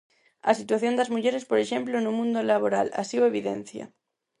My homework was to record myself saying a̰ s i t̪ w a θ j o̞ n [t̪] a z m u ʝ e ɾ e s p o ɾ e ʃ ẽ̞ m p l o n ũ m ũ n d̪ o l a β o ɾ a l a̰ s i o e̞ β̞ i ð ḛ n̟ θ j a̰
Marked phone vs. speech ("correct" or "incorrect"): incorrect